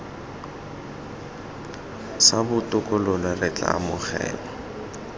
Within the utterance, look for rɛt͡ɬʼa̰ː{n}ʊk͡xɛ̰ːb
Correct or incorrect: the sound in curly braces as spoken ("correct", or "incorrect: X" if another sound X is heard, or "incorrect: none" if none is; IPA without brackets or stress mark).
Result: incorrect: m